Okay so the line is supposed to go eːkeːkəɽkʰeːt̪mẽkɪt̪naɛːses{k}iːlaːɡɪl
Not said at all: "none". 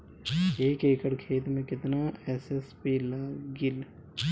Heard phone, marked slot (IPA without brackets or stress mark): p